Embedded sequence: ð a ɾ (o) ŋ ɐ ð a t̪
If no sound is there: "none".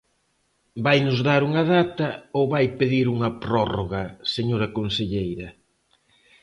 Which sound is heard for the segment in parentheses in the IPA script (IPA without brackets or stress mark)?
u